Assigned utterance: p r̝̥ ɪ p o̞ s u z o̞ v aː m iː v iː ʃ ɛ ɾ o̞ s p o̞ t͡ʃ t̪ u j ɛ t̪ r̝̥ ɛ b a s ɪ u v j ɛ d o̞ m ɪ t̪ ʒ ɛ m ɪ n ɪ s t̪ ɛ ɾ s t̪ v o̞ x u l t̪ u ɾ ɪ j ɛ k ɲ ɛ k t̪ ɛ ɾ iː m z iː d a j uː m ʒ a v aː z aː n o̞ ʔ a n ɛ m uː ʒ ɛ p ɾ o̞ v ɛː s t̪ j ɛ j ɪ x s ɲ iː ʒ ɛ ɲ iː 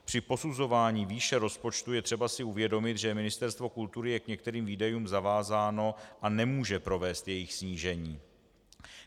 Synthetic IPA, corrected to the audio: p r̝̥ ɪ p o̞ s u z o̞ v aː ɲ iː v iː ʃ ɛ ɾ o̞ s p o̞ t͡ʃ t̪ u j ɛ t̪ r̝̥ ɛ b a s ɪ u v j ɛ d o̞ m ɪ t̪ ʒ ɛ m ɪ n ɪ s t̪ ɛ ɾ s t̪ v o̞ k u l t̪ u ɾ ɪ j ɛ k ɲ ɛ k t̪ ɛ ɾ iː m v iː d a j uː m z a v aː z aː n o̞ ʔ a n ɛ m uː ʒ ɛ p ɾ o̞ v ɛː s t̪ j ɛ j ɪ x s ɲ iː ʒ ɛ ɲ iː